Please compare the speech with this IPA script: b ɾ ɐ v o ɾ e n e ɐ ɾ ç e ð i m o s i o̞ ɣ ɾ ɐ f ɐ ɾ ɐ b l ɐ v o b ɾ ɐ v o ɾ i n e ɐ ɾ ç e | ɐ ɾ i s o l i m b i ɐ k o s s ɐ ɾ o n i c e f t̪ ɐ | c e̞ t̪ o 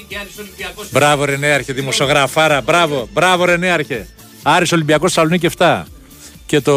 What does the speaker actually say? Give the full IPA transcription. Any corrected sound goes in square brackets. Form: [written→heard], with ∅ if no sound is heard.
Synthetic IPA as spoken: b ɾ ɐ v o ɾ e n e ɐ ɾ ç e ð i m o s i o̞ ɣ ɾ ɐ f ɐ ɾ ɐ b [l→ɾ] ɐ v o b ɾ ɐ v o ɾ [i→e] n e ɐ ɾ ç e | ɐ ɾ i s o l i m b i ɐ k o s s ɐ [ɾ→l] o n i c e f t̪ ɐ | c e̞ t̪ o